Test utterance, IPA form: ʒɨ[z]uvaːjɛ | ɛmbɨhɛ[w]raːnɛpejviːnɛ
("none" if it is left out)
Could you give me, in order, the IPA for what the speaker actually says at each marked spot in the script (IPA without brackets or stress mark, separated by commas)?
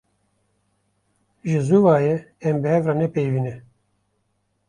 z, v